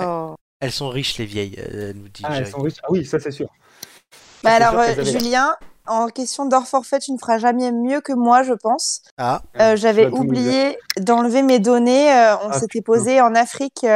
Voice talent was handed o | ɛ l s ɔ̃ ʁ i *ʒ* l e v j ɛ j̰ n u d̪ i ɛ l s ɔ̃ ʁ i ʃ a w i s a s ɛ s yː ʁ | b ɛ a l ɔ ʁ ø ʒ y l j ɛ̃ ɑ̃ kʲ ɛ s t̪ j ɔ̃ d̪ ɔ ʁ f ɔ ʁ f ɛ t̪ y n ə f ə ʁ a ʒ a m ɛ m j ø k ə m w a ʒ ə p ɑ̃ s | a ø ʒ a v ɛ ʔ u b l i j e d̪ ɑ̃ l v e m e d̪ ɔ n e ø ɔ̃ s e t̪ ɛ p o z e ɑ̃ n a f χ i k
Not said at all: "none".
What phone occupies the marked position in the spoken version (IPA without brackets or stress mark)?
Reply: ʃ